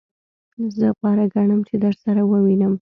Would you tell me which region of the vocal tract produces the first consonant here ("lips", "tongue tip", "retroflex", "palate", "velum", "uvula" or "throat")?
tongue tip